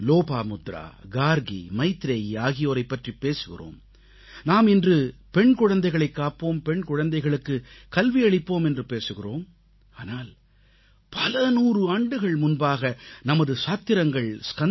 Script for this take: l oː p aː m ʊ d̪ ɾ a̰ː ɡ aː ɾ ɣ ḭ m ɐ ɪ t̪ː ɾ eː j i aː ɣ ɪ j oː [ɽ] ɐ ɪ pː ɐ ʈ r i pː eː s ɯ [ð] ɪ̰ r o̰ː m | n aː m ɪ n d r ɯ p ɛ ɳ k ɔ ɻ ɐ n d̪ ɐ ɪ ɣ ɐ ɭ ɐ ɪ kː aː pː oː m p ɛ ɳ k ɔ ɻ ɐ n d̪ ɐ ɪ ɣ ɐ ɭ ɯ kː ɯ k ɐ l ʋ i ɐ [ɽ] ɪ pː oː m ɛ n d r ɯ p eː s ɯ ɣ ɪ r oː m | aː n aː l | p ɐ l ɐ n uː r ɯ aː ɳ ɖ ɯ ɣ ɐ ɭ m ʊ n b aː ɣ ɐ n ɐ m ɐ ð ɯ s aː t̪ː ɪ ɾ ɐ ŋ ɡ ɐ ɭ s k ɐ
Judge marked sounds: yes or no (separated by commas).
no, no, no